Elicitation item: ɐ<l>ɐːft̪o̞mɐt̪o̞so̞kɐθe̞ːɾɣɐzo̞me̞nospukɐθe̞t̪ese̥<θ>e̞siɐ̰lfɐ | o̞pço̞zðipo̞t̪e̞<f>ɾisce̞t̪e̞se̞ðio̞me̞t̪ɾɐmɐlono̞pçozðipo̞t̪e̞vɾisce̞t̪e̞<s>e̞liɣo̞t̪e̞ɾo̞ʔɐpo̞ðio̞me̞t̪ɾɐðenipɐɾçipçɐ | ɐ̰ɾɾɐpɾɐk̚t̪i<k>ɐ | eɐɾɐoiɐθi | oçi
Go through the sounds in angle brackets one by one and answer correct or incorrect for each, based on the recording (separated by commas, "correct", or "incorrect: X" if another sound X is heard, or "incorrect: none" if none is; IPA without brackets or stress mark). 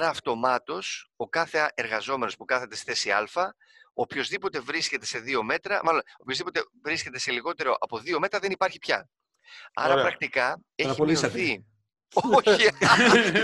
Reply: incorrect: ɾ, correct, incorrect: v, correct, correct